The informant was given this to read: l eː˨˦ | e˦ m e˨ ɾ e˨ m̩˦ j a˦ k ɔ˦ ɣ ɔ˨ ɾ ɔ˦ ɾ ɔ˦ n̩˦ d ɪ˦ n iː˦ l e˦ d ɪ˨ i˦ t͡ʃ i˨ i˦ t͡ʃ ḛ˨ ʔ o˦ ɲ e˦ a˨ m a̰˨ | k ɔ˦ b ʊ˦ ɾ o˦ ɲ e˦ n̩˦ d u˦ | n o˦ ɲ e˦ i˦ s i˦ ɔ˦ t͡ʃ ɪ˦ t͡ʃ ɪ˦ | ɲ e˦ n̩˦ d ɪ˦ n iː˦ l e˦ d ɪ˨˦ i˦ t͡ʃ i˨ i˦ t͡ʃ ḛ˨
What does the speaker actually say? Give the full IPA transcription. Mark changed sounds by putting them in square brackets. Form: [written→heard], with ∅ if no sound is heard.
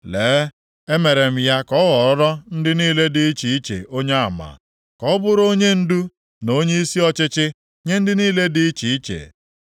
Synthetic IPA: l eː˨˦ | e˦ m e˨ ɾ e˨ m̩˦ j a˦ k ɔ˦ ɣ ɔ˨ ɾ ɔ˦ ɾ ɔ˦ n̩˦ d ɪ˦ n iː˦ l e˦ d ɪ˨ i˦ t͡ʃ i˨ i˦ t͡ʃ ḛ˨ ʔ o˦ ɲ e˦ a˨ m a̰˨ | k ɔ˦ b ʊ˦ ɾ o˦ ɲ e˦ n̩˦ d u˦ | n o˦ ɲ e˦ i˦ s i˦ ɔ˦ t͡ʃ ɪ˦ t͡ʃ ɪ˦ | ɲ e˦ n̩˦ d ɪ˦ n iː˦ l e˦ d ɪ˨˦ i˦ t͡ʃ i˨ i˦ t͡ʃ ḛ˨